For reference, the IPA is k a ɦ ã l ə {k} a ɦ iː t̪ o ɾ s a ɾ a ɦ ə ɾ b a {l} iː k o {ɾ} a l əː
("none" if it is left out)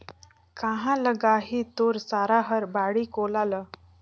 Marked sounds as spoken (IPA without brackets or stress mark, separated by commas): ɡ, ɽ, l